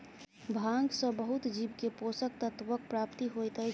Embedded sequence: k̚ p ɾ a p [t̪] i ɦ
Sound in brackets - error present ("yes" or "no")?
no